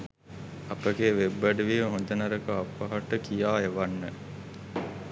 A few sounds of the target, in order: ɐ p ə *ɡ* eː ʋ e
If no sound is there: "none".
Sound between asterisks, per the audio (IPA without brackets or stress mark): ɡ